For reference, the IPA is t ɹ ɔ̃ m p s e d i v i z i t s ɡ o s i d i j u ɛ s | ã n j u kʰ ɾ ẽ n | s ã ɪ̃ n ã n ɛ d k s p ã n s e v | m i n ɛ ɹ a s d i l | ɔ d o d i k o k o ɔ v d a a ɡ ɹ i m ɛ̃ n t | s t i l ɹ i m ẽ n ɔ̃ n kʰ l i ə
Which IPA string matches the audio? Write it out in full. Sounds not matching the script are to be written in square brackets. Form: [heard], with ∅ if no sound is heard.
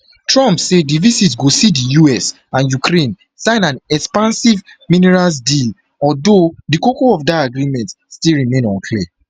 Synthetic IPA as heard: t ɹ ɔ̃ m p s e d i v i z i t s ɡ o s i d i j u ɛ s | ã n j u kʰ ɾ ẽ n | s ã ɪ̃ n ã n ɛ [∅] k s p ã n s [i] v | m i n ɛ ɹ a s d i l | ɔ d o d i k o k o ɔ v d a a ɡ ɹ i m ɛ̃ n t | s t i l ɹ i m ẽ n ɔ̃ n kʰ l i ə